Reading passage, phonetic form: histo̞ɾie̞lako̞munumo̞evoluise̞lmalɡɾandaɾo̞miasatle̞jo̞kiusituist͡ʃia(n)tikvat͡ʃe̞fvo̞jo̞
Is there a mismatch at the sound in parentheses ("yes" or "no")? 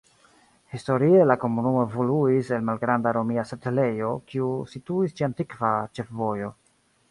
no